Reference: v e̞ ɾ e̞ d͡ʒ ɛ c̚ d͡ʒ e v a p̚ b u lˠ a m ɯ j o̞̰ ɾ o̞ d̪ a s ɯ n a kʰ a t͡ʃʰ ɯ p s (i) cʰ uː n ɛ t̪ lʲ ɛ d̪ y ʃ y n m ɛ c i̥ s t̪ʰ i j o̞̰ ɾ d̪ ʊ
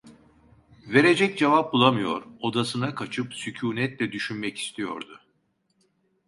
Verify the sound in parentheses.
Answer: incorrect: y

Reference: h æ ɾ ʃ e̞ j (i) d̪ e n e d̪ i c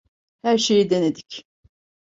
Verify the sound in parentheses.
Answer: correct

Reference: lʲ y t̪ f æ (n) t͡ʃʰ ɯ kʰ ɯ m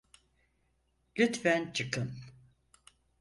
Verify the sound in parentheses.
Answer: correct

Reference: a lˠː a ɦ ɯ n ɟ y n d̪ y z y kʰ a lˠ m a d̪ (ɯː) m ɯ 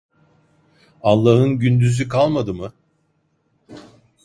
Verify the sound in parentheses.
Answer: incorrect: ɯ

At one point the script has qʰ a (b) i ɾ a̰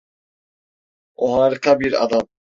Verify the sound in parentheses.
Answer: correct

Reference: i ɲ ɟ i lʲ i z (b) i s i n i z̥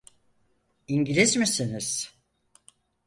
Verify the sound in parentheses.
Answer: incorrect: m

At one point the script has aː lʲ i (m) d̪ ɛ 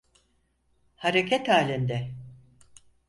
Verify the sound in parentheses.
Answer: incorrect: n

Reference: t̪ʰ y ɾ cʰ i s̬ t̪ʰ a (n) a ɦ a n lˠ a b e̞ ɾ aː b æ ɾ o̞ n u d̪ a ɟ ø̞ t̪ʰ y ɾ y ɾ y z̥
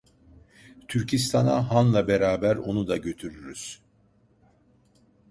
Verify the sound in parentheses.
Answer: correct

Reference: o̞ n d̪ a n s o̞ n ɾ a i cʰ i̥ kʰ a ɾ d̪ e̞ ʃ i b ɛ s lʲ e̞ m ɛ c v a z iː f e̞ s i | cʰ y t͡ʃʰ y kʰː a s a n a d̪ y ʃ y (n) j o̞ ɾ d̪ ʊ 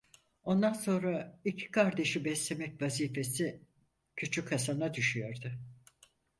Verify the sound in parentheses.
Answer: incorrect: none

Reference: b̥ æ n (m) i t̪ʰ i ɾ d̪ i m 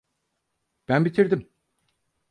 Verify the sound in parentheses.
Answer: incorrect: b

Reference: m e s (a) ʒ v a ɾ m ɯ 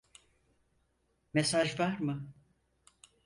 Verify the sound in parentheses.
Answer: correct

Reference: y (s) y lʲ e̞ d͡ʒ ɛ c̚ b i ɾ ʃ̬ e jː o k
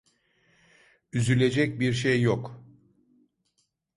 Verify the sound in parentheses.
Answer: incorrect: z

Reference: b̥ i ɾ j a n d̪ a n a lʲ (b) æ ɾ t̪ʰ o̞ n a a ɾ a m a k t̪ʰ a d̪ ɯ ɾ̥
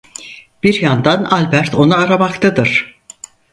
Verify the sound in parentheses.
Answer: correct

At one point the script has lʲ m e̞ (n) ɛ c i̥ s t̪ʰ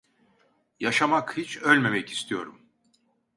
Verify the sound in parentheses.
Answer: incorrect: m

